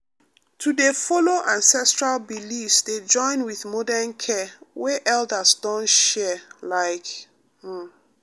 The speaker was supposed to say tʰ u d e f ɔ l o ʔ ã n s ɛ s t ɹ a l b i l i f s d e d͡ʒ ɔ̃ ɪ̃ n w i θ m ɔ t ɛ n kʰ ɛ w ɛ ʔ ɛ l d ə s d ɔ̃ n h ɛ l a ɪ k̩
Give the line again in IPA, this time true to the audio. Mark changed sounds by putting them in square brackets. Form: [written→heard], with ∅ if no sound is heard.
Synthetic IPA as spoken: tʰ u d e f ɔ l o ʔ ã n s ɛ s t ɹ a l b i l i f s d e d͡ʒ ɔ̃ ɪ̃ n w i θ m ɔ [t→d] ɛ n kʰ ɛ w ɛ ʔ ɛ l d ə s d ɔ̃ n [h→ʃ] ɛ l a ɪ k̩